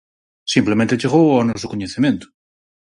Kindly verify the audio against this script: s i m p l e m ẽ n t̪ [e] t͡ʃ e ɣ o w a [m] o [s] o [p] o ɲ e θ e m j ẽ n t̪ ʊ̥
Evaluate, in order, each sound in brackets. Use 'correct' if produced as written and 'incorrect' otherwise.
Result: correct, incorrect, correct, incorrect

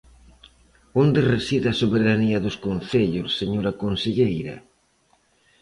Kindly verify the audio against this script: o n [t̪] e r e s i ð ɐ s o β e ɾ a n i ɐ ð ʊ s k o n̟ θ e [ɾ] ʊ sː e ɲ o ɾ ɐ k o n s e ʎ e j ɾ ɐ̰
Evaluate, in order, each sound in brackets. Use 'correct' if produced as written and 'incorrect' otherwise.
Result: incorrect, incorrect

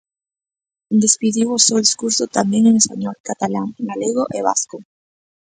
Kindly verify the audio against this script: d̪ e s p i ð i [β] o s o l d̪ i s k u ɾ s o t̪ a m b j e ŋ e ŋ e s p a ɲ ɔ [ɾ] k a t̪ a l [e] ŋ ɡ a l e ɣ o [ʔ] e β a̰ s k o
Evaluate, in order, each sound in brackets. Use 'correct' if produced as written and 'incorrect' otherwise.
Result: incorrect, incorrect, incorrect, correct

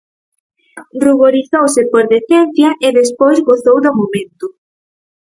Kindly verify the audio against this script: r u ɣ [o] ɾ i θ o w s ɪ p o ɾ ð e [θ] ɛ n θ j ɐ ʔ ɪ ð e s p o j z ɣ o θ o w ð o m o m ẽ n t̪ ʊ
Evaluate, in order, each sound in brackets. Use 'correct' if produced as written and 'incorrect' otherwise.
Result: correct, correct

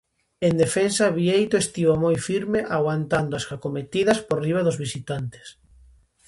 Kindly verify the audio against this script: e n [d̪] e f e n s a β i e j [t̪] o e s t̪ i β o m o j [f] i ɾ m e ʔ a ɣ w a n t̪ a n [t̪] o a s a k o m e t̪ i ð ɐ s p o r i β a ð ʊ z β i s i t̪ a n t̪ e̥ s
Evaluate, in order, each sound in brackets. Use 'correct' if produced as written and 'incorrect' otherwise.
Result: correct, correct, correct, incorrect

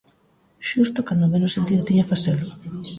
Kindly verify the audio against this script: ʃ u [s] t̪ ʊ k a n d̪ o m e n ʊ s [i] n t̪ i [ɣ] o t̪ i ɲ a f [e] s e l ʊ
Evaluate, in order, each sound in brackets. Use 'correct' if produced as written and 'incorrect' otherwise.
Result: correct, incorrect, incorrect, incorrect

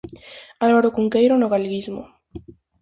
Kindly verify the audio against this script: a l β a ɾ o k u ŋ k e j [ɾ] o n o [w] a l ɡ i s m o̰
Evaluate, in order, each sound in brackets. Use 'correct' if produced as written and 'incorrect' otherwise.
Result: correct, incorrect

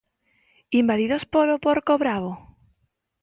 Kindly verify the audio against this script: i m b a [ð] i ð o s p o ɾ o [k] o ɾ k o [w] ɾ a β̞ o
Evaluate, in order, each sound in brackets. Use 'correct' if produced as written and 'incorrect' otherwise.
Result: correct, incorrect, incorrect

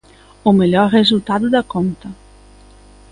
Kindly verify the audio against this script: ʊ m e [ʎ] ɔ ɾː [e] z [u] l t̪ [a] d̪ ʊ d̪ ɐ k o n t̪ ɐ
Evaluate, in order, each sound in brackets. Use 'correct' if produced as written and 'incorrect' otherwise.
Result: correct, correct, correct, correct

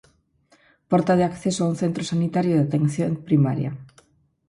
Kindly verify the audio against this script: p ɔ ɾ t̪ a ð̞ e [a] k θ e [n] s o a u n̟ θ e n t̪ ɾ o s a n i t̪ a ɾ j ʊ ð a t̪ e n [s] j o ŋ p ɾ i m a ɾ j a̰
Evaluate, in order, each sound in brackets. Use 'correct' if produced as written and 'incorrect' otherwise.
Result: correct, incorrect, incorrect

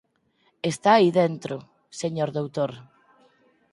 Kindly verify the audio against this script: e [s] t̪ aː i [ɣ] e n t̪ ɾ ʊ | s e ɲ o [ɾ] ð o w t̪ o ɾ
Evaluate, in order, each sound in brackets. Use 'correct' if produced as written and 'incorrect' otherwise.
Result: correct, incorrect, correct

